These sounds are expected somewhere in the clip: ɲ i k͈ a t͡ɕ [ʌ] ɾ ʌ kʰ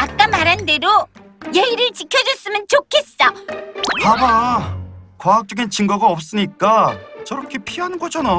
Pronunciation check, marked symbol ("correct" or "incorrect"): correct